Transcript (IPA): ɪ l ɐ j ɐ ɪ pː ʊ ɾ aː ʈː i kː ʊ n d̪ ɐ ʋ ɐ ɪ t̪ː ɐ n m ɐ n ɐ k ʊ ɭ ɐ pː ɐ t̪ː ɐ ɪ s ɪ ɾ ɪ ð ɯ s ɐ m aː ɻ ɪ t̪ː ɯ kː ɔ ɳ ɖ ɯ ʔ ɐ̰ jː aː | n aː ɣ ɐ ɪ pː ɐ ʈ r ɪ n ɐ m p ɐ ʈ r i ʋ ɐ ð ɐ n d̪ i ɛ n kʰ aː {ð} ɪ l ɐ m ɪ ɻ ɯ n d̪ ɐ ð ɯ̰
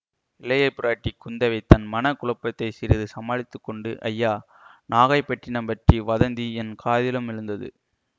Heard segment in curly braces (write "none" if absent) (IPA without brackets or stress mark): ð